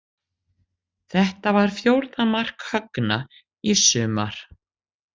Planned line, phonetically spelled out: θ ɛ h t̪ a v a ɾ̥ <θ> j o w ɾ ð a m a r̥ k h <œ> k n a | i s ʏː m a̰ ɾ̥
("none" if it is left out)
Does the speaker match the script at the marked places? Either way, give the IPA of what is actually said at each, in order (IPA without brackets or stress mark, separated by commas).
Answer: f, œ